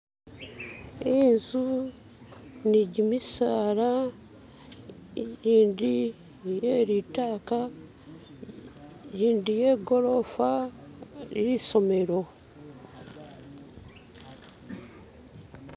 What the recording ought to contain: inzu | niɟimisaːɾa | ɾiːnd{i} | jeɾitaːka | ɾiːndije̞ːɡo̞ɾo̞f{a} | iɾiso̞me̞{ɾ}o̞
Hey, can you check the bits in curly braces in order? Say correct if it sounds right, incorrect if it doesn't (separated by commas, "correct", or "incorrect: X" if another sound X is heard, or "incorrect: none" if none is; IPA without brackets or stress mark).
correct, correct, correct